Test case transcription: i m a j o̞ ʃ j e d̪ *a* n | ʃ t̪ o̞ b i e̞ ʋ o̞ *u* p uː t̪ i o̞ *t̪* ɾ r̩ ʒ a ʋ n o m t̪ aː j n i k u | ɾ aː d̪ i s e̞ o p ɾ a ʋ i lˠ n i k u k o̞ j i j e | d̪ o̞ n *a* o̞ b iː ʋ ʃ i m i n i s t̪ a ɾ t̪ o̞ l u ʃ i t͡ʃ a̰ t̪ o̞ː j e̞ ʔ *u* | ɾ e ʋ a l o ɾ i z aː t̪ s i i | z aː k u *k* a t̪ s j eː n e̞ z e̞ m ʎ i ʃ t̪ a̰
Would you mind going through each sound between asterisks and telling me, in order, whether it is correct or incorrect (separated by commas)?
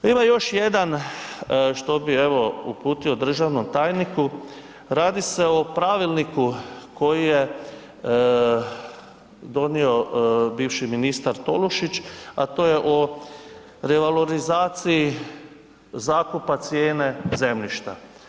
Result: correct, correct, incorrect, incorrect, incorrect, incorrect